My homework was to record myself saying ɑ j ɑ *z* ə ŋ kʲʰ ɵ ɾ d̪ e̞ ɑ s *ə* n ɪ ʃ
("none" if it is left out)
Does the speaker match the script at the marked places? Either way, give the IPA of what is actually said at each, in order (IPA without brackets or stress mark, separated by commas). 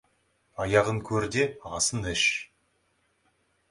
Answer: ʁ, ə